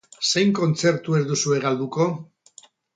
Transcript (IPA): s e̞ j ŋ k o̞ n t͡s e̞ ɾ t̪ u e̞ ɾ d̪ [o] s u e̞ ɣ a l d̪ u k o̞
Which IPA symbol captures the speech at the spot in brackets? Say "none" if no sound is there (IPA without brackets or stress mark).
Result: u